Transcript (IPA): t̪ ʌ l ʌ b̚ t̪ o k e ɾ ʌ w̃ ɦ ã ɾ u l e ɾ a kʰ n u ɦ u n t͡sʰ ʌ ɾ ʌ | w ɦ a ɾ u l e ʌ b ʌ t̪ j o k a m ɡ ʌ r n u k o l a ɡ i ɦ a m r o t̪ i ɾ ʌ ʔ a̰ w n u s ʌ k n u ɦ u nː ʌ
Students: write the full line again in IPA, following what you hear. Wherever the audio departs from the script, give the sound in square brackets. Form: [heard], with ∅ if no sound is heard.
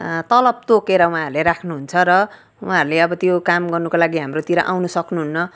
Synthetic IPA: t̪ ʌ l ʌ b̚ t̪ o k e ɾ ʌ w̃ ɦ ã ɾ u l e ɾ a kʰ n u ɦ u n t͡sʰ ʌ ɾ ʌ | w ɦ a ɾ u l e ʌ b ʌ t̪ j o k a m ɡ ʌ r n u k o l a ɡ i ɦ a m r o t̪ i ɾ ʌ ʔ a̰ w n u s ʌ k n u ɦ u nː ʌ